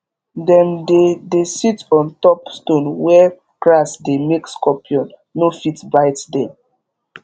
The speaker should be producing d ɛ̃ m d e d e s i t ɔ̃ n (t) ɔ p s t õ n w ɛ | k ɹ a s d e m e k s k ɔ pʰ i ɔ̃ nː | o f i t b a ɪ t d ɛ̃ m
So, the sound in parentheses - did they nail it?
yes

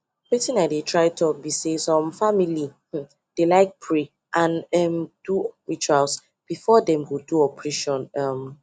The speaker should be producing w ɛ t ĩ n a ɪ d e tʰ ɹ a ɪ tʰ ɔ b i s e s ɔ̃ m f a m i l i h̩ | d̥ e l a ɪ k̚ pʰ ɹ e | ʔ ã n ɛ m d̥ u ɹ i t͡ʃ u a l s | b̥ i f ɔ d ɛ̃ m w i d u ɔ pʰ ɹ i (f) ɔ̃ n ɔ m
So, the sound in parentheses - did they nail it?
no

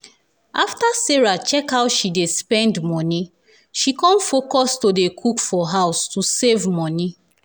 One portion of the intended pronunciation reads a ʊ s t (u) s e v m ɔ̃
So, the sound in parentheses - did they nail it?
yes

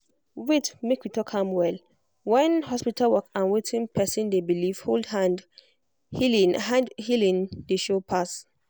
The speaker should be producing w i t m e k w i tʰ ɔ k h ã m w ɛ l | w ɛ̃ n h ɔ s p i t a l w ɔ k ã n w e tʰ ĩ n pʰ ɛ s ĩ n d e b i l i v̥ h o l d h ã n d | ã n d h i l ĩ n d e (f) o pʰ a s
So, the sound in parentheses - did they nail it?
no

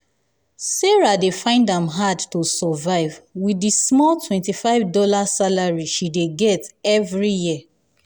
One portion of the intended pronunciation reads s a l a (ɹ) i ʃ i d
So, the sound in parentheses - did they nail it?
yes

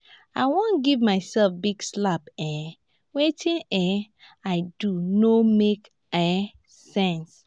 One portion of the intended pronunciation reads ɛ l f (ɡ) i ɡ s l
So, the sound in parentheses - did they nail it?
no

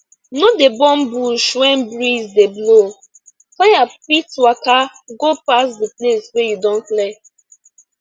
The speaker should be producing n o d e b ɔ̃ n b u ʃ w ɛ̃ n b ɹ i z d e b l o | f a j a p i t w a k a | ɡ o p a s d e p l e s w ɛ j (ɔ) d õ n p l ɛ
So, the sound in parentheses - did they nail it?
no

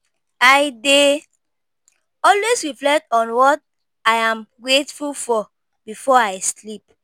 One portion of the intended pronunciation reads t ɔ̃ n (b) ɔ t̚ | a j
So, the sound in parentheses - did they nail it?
no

